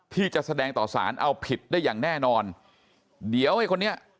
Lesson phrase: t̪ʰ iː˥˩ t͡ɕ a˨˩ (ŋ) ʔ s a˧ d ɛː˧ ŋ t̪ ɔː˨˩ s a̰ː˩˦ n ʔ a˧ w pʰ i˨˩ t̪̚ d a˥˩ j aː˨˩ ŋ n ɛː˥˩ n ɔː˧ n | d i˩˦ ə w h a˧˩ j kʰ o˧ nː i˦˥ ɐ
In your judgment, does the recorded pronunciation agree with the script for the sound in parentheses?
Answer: no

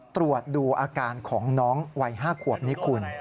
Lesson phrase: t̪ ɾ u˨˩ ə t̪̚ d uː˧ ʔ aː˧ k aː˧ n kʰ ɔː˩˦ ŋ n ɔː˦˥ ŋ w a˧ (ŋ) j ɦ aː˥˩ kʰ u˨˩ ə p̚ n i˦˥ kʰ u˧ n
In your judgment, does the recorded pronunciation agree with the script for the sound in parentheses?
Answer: no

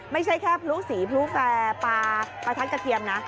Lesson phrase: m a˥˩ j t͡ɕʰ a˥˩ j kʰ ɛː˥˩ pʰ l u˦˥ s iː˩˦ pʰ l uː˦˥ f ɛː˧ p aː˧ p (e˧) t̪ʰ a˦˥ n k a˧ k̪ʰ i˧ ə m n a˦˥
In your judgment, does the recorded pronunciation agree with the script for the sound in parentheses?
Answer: no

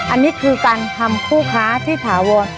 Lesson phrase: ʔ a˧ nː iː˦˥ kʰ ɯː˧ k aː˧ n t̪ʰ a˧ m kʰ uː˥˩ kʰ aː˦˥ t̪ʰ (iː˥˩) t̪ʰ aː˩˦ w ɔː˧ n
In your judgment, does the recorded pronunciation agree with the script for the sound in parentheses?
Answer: yes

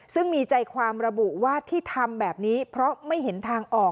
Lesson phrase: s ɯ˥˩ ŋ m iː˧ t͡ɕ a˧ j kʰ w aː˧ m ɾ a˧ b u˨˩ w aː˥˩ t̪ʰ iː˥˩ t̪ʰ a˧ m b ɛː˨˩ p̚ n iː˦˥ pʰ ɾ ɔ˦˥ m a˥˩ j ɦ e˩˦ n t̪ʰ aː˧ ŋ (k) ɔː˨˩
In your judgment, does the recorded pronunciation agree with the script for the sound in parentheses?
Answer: no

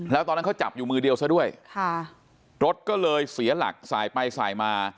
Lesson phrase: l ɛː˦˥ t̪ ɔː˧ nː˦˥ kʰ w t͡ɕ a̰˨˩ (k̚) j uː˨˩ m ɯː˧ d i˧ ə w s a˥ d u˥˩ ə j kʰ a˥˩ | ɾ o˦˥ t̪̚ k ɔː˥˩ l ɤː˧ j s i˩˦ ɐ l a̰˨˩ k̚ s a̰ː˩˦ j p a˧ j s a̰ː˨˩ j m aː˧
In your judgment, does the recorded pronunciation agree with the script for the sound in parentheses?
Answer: no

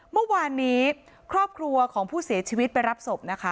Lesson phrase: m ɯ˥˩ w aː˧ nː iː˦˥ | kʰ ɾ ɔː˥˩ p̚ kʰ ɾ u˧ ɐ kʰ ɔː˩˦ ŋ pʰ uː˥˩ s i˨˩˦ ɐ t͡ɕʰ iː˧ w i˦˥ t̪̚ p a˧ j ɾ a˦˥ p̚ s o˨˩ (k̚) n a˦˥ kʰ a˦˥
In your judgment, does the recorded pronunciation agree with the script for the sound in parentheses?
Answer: no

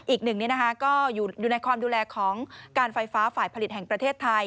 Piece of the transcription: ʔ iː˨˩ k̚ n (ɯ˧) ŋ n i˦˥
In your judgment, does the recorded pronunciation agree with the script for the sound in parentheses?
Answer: no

